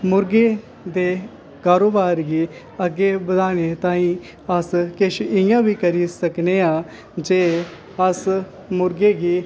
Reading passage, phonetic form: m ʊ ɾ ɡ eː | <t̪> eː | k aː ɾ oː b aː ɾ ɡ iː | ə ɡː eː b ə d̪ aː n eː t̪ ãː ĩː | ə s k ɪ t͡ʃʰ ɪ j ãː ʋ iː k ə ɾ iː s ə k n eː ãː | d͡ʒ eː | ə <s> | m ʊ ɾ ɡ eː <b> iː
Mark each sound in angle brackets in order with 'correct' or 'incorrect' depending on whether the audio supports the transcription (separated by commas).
incorrect, correct, incorrect